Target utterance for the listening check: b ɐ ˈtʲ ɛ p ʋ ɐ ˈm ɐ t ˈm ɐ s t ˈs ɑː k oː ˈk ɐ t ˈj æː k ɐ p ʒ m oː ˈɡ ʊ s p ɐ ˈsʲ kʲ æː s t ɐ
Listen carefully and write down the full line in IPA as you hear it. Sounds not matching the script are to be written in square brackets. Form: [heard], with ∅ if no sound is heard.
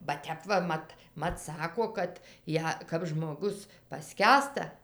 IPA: b ɐ ˈtʲ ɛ p ʋ ɐ ˈm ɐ t ˈm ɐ [∅] t ˈs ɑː k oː ˈk ɐ t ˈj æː k ɐ p ʒ m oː ˈɡ ʊ s p ɐ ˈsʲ kʲ æː s t ɐ